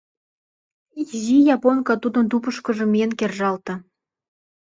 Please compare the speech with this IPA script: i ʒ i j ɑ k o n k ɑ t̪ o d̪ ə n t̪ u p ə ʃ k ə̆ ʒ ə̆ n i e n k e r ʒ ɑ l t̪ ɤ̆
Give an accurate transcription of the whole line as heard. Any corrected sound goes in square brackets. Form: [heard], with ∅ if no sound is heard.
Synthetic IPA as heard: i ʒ i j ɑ [p] o n k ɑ t̪ [u] d̪ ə n t̪ u p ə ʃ k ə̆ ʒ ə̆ [m] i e n k e r ʒ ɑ l t̪ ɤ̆